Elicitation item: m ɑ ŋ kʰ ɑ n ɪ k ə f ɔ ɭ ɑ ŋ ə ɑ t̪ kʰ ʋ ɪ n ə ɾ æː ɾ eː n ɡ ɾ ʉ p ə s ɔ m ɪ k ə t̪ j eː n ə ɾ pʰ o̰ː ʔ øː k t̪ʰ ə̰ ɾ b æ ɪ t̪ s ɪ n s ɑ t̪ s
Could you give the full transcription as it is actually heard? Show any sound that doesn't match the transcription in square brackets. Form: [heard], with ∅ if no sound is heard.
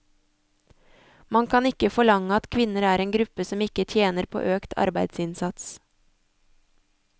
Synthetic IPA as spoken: m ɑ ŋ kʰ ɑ n ɪ k ə f ɔ ɭ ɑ ŋ ə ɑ t̪ kʰ ʋ ɪ n ə ɾ æː ɾ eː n ɡ ɾ ʉ p ə s ɔ m ɪ k ə [t̪ʰ] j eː n ə ɾ pʰ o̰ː ʔ øː k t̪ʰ [ɑ̰] ɾ b æ ɪ [d̪] s ɪ n s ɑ t̪ s